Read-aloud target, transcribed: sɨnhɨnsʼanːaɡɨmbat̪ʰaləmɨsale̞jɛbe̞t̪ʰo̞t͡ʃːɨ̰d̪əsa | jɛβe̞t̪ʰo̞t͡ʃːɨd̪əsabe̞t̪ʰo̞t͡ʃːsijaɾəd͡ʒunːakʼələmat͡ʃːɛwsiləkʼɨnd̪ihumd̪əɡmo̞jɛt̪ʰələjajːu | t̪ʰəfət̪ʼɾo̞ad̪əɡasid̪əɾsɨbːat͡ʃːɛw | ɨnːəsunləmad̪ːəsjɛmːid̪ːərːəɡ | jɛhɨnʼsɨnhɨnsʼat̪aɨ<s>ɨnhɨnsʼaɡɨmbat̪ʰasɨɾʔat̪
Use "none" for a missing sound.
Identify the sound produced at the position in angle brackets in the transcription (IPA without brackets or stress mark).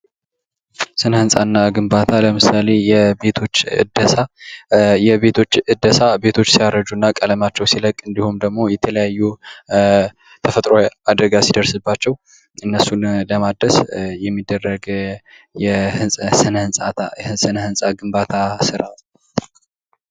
s